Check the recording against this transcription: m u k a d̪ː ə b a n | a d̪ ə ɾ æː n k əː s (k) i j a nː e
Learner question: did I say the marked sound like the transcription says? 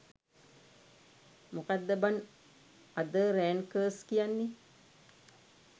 yes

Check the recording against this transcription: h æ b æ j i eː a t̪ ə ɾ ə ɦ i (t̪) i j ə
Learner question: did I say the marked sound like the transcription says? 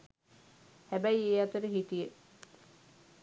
yes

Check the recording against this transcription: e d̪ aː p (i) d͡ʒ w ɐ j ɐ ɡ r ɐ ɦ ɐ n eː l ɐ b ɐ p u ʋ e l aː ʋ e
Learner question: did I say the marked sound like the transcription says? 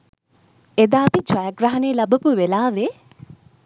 yes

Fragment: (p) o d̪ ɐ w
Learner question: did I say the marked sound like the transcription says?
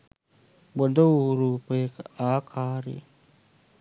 no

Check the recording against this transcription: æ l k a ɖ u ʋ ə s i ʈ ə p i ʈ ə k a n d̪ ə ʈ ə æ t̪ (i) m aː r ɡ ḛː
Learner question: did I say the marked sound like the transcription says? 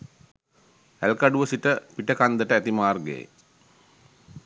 yes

